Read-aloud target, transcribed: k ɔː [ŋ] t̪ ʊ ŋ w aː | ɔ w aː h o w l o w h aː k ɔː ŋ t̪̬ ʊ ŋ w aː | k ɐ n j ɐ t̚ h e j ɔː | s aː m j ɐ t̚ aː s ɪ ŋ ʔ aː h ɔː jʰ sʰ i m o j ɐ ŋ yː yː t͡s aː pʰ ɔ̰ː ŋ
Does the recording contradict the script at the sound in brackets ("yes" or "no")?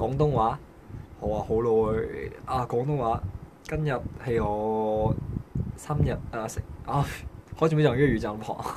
no